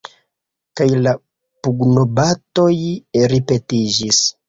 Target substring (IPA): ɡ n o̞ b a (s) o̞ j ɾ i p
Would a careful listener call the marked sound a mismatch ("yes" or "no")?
yes